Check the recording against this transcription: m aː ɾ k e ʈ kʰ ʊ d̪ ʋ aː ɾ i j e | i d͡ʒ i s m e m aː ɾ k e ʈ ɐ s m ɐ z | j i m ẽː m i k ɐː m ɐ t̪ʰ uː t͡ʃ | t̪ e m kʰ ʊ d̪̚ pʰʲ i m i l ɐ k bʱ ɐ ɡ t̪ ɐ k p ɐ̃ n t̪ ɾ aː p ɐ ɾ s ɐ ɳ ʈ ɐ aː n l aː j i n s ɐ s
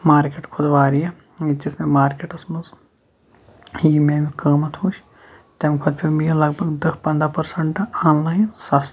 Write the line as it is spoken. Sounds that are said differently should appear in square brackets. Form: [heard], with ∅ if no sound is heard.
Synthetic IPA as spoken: m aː ɾ k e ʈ kʰ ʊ d̪ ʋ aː ɾ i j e | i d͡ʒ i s m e m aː ɾ k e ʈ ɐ s m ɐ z | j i m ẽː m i k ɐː m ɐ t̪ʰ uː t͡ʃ | t̪ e m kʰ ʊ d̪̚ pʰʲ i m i l ɐ [ɡ] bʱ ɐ ɡ [d̪] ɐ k p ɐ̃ n [d̪] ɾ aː p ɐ ɾ s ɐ ɳ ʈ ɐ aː n l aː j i n s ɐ s